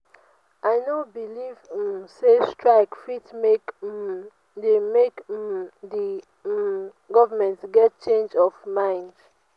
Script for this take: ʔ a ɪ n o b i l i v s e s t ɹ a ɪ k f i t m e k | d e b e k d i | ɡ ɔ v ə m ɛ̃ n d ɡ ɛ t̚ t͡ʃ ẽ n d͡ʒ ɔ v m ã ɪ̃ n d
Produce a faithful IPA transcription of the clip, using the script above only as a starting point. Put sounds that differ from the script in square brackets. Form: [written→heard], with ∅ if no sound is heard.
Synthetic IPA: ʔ a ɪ n o b i l i v s e s t ɹ a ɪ k f i t m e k | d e [b→m] e k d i | ɡ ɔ v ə m ɛ̃ n [d→t] ɡ ɛ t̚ t͡ʃ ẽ n d͡ʒ ɔ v m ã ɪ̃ n d

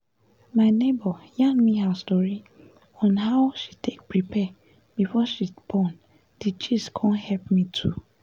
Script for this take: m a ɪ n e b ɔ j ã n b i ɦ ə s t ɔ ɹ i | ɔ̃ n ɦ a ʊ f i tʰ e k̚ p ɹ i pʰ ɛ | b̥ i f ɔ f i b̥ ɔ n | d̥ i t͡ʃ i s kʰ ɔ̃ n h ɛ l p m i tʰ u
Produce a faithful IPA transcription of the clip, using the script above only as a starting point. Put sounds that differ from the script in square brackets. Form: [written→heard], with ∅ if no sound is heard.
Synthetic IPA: m a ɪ n e b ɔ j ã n [b→m] i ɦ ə s t ɔ ɹ i | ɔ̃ n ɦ a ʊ [f→ʃ] i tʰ e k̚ p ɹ i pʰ ɛ | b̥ i f ɔ [f→ʃ] i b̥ ɔ n | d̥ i t͡ʃ i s kʰ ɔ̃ n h ɛ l p m i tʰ u

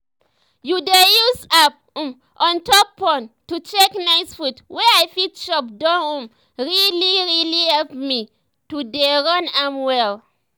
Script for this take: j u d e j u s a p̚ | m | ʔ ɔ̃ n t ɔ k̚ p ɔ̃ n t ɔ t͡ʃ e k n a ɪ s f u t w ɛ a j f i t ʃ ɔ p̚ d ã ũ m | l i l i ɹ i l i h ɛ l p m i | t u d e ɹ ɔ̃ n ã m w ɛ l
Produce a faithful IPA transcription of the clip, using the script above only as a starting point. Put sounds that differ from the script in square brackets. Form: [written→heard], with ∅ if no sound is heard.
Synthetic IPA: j u d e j u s a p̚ | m | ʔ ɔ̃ n t ɔ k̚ p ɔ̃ n t [ɔ→u] t͡ʃ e k n a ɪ s f u t w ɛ a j f i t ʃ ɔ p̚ d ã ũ m | [l→ɹ] i l i ɹ i l i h ɛ l p m i | t u d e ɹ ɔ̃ n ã m w ɛ l

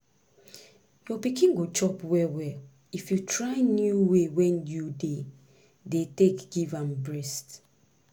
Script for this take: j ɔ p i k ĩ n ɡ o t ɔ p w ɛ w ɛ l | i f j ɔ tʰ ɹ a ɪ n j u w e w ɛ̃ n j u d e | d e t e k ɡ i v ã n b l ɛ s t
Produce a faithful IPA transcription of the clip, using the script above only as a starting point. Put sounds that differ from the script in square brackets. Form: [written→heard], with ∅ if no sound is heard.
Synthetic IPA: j ɔ p i k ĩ n ɡ o [t→t͡ʃ] ɔ p w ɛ w ɛ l | i f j [ɔ→u] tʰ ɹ a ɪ n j u w e w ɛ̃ n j u d e | d e t e k ɡ i v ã [n→m] b [l→ɹ] ɛ s t

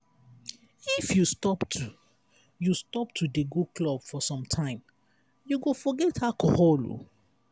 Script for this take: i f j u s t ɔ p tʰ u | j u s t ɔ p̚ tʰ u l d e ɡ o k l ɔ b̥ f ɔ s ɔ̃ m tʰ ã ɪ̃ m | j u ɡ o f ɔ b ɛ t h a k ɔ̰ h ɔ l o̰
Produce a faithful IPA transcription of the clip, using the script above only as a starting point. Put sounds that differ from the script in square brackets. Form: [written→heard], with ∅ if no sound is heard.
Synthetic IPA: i f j u s t ɔ p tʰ u | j u s t ɔ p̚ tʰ u [l→∅] d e ɡ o k l ɔ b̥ f ɔ s ɔ̃ m tʰ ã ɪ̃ m | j u ɡ o f ɔ [b→ɡ] ɛ t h a k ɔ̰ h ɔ l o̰

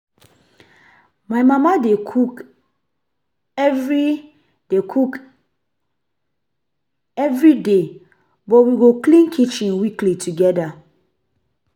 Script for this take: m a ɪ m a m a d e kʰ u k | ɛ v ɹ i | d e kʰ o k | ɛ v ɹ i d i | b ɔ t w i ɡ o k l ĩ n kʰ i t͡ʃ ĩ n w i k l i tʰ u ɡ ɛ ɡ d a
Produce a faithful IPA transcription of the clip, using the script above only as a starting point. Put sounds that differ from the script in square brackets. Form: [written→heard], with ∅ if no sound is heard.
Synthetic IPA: m a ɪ m a m a d e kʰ u k | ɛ v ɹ i | d e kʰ [o→u] k | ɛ v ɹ i d [i→e] | b ɔ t w i ɡ o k l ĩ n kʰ i t͡ʃ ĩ n w i k l i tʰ u ɡ ɛ [ɡ→∅] d a

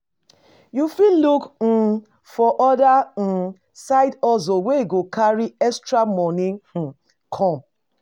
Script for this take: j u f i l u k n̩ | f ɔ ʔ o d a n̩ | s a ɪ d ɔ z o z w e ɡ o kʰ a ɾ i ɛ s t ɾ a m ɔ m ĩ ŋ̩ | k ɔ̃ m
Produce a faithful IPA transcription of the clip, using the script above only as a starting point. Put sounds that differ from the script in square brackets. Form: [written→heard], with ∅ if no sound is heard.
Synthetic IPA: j u f i l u k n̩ | f ɔ ʔ [o→ɔ] d a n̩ | s a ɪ d ɔ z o [z→∅] w e ɡ o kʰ a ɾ i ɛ s t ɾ a m ɔ [m→n] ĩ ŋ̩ | [k→kʰ] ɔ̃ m

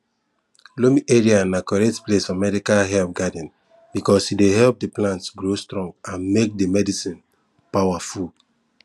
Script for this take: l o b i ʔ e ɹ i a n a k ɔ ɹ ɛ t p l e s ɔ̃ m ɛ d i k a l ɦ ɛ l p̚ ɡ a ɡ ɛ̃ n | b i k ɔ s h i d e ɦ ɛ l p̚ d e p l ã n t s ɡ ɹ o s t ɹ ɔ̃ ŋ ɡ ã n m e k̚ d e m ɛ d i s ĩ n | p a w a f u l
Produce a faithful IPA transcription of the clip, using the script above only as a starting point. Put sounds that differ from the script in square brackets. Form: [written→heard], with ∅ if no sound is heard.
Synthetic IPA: l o [b→m] i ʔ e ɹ i a n a k ɔ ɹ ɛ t p l e s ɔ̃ m ɛ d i k a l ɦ ɛ l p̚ ɡ a [ɡ→d] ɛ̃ n | b i k ɔ s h i d e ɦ ɛ l p̚ d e p l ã n t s ɡ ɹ o s t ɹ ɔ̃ ŋ ɡ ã n m e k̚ d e m ɛ d i s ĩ n | p a w a f u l

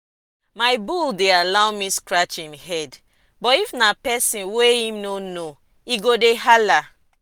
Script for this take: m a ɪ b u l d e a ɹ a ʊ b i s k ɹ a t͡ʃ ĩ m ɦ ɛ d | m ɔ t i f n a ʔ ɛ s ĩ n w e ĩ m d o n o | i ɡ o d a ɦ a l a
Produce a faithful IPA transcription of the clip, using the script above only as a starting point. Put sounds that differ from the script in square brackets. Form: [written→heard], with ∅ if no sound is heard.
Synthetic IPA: m a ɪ b u l d e a [ɹ→l] a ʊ [b→m] i s k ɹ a t͡ʃ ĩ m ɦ ɛ d | [m→b] ɔ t i f n a [ʔ→p] ɛ s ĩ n w e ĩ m [d→n] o n o | i ɡ o d [a→e] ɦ a l a

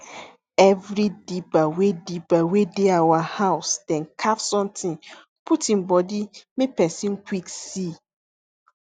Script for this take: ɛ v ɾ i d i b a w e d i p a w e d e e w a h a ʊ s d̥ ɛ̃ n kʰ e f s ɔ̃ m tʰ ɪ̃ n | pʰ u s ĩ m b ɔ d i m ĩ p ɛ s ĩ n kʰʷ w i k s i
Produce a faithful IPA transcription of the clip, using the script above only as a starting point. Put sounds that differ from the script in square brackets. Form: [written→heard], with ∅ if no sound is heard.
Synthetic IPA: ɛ v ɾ i d i b a w e d i [p→b] a w e d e [e→a] w a h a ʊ s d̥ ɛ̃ n kʰ [e→a] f s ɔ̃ m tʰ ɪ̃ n | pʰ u [s→t] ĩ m b ɔ d i m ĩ p ɛ s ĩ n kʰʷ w i k s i

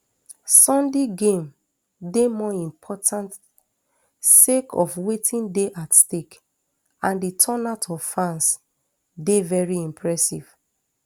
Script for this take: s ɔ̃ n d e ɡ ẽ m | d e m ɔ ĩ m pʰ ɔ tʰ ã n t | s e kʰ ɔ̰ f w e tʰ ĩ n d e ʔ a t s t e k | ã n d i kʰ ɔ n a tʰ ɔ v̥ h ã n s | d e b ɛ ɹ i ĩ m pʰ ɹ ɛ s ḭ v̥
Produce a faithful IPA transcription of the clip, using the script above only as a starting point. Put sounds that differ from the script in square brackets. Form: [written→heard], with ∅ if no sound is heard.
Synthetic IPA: s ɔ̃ n d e ɡ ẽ m | d e m ɔ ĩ m pʰ ɔ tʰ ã n t | s e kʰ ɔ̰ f w e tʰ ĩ n d e ʔ a t s t e k | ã n d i [kʰ→tʰ] ɔ n a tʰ ɔ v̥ [h→f] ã n s | d e [b→v] ɛ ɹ i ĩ m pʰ ɹ ɛ s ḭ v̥

